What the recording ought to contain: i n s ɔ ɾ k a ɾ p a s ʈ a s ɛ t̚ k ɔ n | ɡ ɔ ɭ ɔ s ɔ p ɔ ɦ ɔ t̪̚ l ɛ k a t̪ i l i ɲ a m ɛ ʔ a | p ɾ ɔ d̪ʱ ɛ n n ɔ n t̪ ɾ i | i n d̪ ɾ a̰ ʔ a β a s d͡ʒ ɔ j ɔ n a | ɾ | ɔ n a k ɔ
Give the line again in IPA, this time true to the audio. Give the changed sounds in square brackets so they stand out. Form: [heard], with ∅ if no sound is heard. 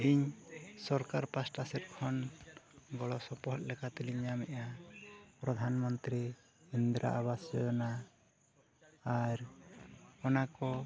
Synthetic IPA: i [ɲ] s ɔ ɾ k a ɾ p a s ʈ a s ɛ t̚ [kʰ] ɔ n | ɡ ɔ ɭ ɔ s ɔ p ɔ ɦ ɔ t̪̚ l ɛ k a t̪ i l i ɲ a m ɛ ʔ a | p ɾ ɔ d̪ʱ [a] n [m] ɔ n t̪ ɾ i | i n d̪ ɾ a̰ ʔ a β a s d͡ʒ ɔ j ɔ n a | ɾ | ɔ n a k ɔ